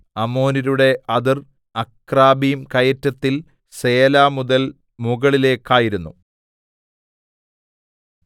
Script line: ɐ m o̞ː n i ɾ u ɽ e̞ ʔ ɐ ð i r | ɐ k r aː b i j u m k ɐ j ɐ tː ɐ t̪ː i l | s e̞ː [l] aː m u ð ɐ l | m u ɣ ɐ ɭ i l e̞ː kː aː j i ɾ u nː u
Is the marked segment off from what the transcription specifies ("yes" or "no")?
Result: no